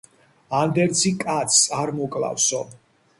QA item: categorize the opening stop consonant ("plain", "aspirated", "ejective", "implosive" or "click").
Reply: plain